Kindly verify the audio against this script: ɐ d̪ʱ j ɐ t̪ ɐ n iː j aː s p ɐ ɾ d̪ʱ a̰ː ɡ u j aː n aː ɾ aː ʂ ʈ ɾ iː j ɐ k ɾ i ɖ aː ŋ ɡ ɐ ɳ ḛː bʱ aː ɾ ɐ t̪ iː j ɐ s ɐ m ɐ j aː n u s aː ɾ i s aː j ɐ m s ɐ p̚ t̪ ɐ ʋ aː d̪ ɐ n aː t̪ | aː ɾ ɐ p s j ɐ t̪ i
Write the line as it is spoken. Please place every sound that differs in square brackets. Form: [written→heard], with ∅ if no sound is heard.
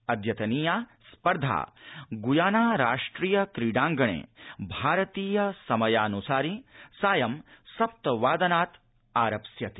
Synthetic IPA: ɐ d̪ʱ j ɐ t̪ ɐ n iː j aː s p ɐ ɾ d̪ʱ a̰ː ɡ u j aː n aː ɾ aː ʂ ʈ ɾ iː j ɐ k ɾ i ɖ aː ŋ ɡ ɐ ɳ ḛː bʱ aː ɾ ɐ t̪ iː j ɐ s ɐ m ɐ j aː n u s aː ɾ i s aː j ɐ m s ɐ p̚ t̪ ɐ ʋ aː d̪ ɐ n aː t̪ | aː ɾ ɐ p s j ɐ t̪ i